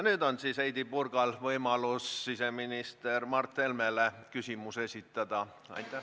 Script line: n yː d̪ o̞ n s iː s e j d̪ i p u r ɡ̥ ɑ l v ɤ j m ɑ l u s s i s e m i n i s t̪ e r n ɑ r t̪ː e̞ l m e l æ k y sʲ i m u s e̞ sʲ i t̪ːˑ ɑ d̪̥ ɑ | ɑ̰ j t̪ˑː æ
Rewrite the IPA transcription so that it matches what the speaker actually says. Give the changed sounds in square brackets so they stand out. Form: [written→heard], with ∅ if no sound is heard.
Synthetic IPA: n yː d̪ o̞ n s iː s e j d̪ i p u r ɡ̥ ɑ l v ɤ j m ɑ l u s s i s e m i n i s t̪ e r [n→m] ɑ r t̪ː e̞ l m e l [æ→e] k y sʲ i m u s e̞ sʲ i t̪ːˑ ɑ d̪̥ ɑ | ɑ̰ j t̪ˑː æ